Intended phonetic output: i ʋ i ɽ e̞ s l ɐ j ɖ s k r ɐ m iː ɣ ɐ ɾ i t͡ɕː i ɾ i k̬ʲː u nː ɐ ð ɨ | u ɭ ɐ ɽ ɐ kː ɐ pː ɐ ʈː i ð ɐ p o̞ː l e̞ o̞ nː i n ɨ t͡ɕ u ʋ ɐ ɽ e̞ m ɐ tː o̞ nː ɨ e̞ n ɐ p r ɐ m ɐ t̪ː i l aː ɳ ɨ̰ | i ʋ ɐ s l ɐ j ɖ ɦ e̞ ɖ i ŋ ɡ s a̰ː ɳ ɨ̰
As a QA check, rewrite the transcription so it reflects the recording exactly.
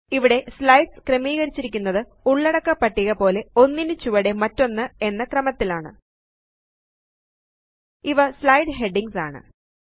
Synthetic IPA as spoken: i ʋ i ɽ e̞ s l ɐ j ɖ s k r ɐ m iː ɣ ɐ ɾ i t͡ɕː i ɾ i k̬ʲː u nː ɐ ð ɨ | u ɭː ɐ ɽ ɐ kː ɐ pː ɐ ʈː i ɣ ɐ p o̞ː l e̞ o̞ nː i n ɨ t͡ɕ u ʋ ɐ ɽ e̞ m ɐ tː o̞ nː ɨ e̞ nː ɐ k r ɐ m ɐ t̪ː i l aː ɳ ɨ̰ | i ʋ ɐ s l ɐ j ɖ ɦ e̞ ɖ i ŋ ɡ s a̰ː ɳ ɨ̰